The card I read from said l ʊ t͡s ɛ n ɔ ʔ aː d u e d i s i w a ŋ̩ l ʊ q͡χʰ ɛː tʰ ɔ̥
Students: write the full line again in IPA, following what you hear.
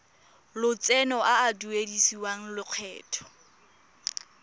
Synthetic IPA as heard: l ʊ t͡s ɛ n ɔ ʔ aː d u e d i s i w a ŋ̩ l ʊ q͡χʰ ɛː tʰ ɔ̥

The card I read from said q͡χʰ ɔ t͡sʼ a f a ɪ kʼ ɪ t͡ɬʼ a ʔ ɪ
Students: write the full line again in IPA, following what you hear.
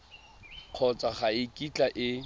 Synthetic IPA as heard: q͡χʰ ɔ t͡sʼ a χ a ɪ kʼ i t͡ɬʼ a ʔ ɪ

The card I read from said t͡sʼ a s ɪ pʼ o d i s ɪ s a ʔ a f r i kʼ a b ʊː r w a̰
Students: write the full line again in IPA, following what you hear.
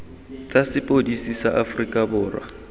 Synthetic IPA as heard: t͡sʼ a s ɪ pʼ o d i s i s a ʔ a f r i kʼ a b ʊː r w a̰

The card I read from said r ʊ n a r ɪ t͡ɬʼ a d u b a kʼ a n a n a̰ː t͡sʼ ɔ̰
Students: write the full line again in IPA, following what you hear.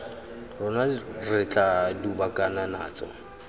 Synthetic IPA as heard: r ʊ n a r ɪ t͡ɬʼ a d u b a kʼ a n a n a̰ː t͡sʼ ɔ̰

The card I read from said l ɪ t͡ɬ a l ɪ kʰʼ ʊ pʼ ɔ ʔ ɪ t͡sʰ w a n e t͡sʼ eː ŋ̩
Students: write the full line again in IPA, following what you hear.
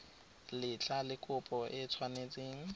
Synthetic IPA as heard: l ɪ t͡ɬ a l ɪ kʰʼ ʊ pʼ ɔ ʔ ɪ t͡sʰ w a n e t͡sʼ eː ŋ̩

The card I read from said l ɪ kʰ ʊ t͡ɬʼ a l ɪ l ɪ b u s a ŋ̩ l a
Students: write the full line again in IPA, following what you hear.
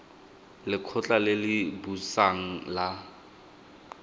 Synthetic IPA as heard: l ɪ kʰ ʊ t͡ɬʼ a l ɪ l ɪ b u s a ŋ̩ l a

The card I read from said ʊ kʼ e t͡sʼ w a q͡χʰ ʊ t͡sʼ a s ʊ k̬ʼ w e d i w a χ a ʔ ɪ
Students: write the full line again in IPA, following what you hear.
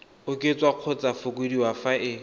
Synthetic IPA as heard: ʊ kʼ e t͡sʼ w a q͡χʰ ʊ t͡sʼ a f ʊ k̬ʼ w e d i w a f a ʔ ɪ

